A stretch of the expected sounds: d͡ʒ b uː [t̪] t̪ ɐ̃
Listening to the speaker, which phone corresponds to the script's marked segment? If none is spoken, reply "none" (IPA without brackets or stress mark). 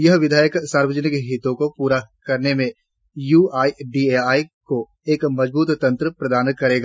t̪